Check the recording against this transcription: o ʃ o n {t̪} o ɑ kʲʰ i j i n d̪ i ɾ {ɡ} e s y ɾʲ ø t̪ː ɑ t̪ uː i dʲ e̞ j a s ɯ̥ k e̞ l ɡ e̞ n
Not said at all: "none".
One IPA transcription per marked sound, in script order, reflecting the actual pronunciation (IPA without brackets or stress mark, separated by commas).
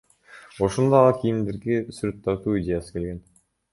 d̪, ɡ